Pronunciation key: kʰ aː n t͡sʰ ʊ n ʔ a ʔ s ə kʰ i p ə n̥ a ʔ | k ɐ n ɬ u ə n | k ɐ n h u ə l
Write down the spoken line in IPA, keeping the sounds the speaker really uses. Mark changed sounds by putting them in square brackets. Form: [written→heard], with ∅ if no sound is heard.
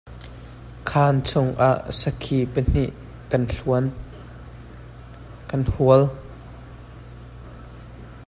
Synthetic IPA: kʰ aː n t͡sʰ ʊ [n→ŋ] ʔ a ʔ s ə kʰ i p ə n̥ [a→i] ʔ | k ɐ n ɬ u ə n | k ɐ n h u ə l